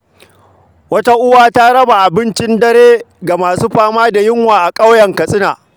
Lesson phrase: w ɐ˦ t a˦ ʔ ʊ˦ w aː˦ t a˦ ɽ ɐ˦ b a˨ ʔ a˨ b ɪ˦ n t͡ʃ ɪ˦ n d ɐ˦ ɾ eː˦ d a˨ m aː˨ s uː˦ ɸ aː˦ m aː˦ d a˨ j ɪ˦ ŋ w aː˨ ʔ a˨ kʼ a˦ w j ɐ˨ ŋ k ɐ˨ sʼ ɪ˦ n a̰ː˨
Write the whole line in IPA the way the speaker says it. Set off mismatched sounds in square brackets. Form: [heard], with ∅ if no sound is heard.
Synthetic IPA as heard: w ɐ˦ t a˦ ʔ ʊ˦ w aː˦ t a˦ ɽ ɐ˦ b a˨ ʔ a˨ b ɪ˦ n t͡ʃ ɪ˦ n d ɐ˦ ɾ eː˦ [ɡ] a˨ m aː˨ s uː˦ ɸ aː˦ m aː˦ d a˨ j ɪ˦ ŋ w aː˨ ʔ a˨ kʼ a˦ w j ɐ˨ ŋ k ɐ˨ sʼ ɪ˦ n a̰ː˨